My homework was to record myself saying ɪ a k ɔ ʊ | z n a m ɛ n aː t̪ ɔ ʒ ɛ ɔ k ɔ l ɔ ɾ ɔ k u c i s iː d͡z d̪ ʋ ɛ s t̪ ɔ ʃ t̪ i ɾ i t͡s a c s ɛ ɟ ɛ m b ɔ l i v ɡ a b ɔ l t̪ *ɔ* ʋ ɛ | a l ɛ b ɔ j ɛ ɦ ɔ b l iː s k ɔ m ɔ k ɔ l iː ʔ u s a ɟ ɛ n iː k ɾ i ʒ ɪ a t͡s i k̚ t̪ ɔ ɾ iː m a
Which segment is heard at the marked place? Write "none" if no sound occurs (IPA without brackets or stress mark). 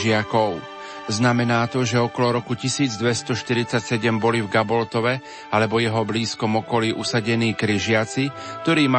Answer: ɔ